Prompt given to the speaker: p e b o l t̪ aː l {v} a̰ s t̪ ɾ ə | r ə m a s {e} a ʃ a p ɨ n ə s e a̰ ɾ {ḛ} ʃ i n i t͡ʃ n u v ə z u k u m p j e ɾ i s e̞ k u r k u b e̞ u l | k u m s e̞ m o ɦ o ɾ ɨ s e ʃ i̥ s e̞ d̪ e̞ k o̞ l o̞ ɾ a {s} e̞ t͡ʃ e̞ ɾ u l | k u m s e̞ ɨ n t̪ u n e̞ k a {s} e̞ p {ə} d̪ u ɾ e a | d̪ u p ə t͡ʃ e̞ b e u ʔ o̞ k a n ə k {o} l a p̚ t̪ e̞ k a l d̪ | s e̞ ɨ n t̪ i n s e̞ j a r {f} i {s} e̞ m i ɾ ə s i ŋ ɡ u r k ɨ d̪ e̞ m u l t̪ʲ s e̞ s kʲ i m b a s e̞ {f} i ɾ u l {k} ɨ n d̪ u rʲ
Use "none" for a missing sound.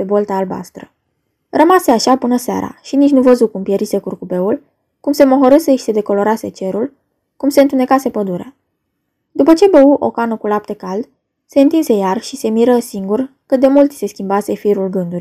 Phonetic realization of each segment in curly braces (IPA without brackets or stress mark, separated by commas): b, e, a̰, s, s, ə, u, ʃ, s, f, ɡ